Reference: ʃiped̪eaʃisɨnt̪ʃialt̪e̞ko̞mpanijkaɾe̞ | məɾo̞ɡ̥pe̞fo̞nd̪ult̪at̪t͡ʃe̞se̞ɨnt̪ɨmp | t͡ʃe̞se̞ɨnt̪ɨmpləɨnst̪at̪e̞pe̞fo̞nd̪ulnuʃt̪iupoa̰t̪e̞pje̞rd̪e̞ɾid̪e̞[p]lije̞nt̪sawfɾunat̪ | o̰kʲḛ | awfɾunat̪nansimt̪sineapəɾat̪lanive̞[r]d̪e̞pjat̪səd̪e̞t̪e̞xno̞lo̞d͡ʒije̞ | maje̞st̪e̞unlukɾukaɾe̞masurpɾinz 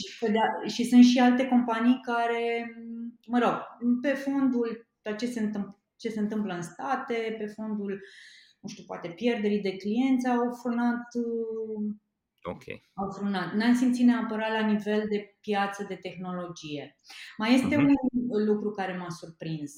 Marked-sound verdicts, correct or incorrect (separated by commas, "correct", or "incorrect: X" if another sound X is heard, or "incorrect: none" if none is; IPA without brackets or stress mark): incorrect: k, incorrect: l